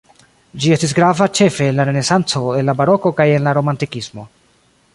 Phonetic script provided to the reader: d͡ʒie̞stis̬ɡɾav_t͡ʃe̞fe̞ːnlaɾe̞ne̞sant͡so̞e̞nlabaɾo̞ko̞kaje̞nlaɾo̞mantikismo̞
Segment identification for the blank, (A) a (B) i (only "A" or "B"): A